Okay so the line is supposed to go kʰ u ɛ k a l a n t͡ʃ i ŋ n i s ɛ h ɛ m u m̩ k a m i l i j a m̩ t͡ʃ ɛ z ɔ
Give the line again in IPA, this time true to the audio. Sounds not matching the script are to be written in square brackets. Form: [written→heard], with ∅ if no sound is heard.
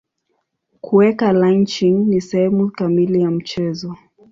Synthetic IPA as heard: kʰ u ɛ k a l a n t͡ʃ i ŋ n i s ɛ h ɛ m u [m̩→∅] k a m i l i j a m̩ t͡ʃ ɛ z ɔ